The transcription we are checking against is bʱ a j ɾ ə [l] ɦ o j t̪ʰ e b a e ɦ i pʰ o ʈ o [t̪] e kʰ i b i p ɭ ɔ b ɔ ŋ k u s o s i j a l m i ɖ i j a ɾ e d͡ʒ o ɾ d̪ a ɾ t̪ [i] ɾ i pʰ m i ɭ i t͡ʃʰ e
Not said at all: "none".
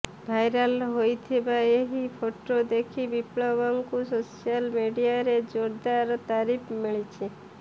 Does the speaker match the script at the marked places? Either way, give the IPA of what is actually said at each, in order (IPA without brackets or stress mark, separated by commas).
l, d̪, a